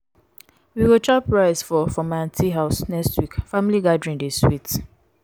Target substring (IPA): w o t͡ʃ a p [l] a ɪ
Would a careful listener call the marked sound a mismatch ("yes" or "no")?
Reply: yes